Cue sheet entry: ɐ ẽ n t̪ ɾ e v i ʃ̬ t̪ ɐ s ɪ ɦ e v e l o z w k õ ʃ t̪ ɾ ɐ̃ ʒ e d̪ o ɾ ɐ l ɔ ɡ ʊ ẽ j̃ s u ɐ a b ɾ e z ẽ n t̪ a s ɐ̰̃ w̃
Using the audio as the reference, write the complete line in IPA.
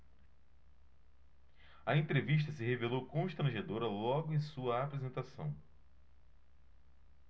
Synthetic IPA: ɐ ẽ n t̪ ɾ e v i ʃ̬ t̪ ɐ s ɪ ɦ e v e l o w k õ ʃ t̪ ɾ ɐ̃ ʒ e d̪ o ɾ ɐ l ɔ ɡ ʊ ẽ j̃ s u ɐ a p ɾ e z ẽ n t̪ a s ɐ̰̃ w̃